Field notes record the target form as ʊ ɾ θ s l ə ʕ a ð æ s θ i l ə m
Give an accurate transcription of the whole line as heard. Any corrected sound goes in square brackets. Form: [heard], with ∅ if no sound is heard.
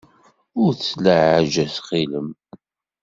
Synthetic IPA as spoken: ʊ ɾ θ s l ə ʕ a [ʒ] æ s [χ] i l ə m